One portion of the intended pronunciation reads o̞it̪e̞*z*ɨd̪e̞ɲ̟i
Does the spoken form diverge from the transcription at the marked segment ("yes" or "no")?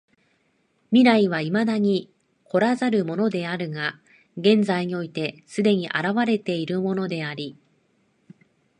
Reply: yes